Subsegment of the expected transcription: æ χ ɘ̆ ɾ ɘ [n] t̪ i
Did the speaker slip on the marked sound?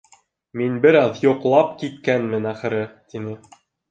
yes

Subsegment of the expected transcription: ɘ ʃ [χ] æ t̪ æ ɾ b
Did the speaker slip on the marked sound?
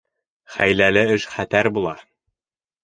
no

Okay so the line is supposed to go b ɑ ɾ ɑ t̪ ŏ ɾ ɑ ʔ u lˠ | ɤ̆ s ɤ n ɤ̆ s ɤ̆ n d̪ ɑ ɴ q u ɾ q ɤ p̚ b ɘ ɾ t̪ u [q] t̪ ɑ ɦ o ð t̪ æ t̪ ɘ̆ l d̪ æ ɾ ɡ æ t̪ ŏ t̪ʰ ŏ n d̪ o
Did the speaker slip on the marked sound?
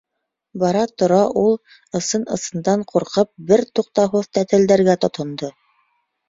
no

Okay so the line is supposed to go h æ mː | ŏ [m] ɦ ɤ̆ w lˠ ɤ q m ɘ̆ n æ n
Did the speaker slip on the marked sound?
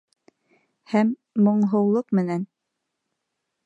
yes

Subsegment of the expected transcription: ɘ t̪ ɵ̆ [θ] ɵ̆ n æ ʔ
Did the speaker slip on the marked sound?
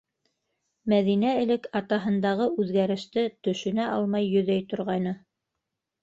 yes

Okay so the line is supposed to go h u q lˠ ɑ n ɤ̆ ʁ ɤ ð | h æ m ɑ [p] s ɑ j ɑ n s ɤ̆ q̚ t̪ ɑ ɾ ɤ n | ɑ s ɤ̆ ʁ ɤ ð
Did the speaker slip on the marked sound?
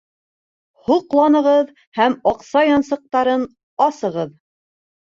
yes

